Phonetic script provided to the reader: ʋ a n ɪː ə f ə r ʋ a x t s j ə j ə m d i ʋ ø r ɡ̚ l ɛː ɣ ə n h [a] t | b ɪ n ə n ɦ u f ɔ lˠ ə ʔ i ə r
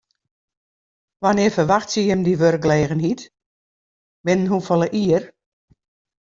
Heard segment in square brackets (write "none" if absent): i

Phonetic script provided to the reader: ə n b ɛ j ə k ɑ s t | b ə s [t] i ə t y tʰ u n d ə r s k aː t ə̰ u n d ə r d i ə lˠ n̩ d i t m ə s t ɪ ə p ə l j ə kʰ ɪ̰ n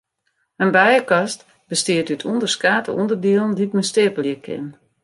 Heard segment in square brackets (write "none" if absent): t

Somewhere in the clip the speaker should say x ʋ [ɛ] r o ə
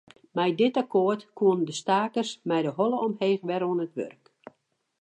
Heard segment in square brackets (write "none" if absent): ɛ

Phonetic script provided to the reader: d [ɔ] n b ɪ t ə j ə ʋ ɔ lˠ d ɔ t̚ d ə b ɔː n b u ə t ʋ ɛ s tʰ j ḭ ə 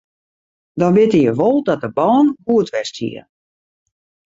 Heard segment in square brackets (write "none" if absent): ɔ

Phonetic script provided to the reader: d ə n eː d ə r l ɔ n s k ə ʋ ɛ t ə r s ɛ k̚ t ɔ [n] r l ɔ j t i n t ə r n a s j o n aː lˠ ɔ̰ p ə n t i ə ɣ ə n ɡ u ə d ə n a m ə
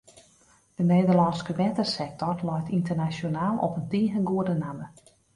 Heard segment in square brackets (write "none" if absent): none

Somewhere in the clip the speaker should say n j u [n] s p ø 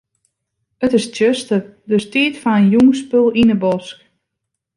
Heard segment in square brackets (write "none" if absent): ŋ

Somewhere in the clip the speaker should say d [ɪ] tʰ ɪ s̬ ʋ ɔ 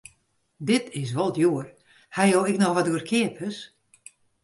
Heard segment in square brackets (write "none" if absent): ɪ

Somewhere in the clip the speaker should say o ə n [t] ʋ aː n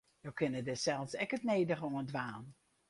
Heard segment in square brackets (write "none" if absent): d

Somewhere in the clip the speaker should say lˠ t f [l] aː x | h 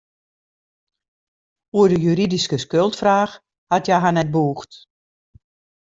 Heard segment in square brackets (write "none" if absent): r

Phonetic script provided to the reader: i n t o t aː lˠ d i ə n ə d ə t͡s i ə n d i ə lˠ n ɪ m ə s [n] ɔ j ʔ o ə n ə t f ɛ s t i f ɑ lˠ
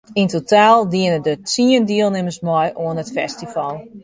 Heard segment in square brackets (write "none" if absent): m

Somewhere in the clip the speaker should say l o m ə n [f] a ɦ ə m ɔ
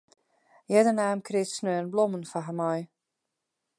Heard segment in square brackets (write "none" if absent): f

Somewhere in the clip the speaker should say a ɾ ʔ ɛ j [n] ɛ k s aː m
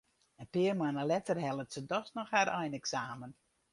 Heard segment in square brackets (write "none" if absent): n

